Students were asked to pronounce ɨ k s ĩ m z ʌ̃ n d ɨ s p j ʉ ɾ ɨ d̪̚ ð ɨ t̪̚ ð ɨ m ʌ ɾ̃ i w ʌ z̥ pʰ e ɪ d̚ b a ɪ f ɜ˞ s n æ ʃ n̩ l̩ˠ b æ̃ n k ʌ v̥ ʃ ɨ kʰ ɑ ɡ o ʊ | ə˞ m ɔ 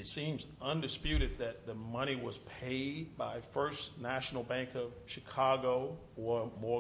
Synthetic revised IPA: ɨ t s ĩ m z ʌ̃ n d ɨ s p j ʉ ɾ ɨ d̪̚ ð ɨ t̪̚ ð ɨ m ʌ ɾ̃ i w ʌ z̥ pʰ e ɪ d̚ b a ɪ f ɜ˞ s n æ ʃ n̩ l̩ˠ b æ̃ ŋ k ʌ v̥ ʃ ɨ kʰ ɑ ɡ o ʊ | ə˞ m ɔ